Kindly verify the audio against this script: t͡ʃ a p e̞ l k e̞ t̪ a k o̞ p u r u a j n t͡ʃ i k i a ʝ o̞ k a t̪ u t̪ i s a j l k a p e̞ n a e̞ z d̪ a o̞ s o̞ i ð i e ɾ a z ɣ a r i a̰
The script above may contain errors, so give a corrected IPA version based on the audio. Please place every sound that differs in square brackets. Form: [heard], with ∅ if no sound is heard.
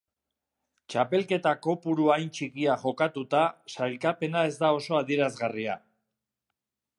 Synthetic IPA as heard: t͡ʃ a p e̞ l k e̞ t̪ a k o̞ p u [ɾ] u a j n t͡ʃ i k i a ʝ o̞ k a t̪ u t̪ [a] s a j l k a p e̞ n a e̞ z d̪ a o̞ s o̞ [a] ð i e ɾ a z ɣ a r i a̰